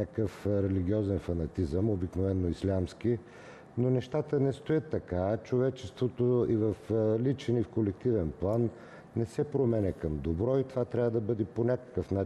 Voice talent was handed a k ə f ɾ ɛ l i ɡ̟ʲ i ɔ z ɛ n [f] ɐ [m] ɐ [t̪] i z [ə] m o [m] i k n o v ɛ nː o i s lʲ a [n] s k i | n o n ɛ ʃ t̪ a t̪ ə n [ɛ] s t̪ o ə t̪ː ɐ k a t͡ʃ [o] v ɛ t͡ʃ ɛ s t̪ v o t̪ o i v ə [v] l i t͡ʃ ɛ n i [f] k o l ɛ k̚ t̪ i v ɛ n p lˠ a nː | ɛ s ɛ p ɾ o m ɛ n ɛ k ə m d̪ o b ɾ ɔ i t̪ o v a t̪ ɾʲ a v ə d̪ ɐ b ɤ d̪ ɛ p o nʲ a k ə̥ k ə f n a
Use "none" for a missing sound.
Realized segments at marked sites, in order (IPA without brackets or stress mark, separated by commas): f, n, t̪, ə, b, m, ɛ, o, f, f